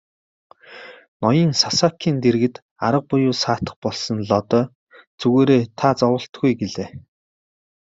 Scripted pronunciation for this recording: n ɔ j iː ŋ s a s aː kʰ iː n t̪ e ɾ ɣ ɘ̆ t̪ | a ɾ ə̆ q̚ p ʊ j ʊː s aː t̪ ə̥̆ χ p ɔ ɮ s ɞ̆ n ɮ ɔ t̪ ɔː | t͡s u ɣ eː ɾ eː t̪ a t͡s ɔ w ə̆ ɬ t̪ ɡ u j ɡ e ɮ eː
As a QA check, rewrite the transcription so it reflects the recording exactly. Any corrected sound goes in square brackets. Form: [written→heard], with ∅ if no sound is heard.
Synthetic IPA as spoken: n ɔ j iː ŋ s a s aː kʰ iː n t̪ e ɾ ɣ ɘ̆ t̪ | a ɾ ə̆ q̚ p ʊ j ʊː s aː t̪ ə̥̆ χ p ɔ ɮ s ɞ̆ n ɮ ɔ t̪ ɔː | t͡s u ɣ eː ɾ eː [t̪→t̪ʰ] a t͡s ɔ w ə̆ ɬ t̪ ɡ u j ɡ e ɮ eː